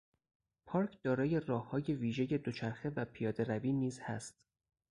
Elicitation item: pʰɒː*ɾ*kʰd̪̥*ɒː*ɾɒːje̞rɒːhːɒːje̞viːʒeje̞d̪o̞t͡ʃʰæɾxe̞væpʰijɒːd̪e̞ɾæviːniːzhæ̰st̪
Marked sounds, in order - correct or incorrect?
correct, correct

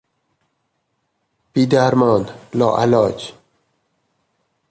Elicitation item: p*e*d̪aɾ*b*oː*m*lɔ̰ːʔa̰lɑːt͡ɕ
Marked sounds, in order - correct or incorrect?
incorrect: i, incorrect: m, incorrect: n

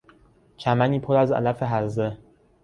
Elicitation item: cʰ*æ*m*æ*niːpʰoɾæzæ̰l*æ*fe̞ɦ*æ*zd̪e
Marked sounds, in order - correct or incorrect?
correct, correct, correct, correct

